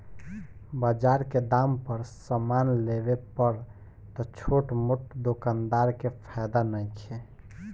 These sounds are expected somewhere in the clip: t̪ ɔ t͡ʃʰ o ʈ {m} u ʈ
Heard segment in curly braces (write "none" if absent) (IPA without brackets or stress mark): m